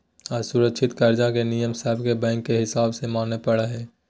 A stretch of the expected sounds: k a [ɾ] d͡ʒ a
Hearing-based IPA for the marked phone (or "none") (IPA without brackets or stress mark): ɾ